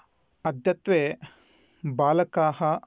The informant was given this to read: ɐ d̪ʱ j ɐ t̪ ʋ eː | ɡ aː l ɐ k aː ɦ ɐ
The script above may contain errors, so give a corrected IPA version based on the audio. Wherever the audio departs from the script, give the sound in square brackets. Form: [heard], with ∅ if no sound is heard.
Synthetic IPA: ɐ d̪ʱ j ɐ t̪ ʋ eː | [b] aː l ɐ k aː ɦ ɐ